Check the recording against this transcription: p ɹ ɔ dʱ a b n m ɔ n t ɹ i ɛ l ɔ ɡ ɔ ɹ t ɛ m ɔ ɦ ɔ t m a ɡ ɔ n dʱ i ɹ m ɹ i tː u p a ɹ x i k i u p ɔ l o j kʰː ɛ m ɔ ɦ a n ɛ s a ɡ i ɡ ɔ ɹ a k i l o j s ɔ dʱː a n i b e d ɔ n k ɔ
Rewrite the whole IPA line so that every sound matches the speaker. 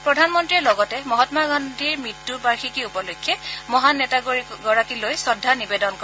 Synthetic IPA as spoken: p ɹ ɔ dʱ a n m ɔ n t ɹ i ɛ l ɔ ɡ ɔ t ɛ m ɔ ɦ ɔ t m a ɡ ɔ n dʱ i ɹ m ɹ i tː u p a ɹ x i k i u p ɔ l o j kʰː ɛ m ɔ ɦ a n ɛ t a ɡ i ɡ ɔ ɹ a k i l o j s ɔ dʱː a n i b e d ɔ n k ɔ